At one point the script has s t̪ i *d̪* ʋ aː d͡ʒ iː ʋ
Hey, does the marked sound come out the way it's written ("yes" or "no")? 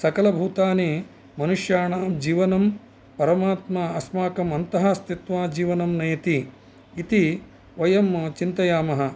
no